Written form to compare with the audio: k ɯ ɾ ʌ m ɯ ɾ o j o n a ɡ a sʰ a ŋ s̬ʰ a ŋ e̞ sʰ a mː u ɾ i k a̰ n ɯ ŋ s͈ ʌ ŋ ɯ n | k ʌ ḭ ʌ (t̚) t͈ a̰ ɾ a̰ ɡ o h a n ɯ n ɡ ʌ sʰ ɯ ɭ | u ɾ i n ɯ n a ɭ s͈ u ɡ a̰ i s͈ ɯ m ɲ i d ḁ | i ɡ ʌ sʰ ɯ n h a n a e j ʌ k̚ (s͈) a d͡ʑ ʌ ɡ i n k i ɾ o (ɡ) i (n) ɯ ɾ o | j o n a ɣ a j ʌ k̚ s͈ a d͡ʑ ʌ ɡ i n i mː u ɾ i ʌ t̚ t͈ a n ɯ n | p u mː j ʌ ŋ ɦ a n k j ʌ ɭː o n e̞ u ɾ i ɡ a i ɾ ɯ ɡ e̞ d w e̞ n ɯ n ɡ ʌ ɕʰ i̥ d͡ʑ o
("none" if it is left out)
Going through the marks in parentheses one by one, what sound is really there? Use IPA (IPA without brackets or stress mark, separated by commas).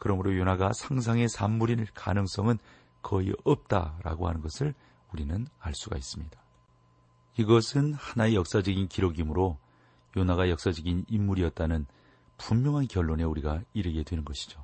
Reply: p̚, s͈, ɡ, m